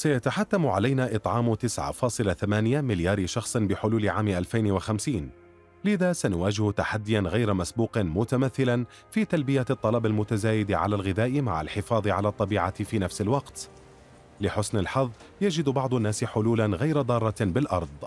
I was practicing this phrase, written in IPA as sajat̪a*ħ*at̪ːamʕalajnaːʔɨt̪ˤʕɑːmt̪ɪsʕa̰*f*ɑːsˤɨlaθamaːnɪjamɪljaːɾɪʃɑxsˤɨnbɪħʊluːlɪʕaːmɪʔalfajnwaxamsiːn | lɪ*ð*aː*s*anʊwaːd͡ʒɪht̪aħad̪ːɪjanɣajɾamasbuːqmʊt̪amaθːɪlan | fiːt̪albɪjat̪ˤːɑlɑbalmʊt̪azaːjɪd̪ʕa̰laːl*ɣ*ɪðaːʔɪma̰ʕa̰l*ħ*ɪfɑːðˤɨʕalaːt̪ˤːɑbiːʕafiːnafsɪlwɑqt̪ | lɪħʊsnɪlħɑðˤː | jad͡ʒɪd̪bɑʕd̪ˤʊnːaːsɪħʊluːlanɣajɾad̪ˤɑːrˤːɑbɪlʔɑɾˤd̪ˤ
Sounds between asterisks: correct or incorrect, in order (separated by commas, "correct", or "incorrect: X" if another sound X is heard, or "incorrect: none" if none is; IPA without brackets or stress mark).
correct, correct, correct, correct, correct, correct